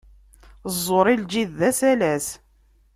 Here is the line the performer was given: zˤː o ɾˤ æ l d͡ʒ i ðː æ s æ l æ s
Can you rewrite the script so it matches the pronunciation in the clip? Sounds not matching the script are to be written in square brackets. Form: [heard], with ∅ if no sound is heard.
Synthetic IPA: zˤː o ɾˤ [i] l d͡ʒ i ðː æ s æ l æ s